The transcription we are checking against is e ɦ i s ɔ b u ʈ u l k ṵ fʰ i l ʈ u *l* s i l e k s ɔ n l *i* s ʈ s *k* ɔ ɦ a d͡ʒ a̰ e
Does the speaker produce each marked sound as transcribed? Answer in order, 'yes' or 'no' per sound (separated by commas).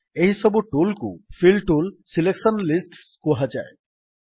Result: yes, yes, yes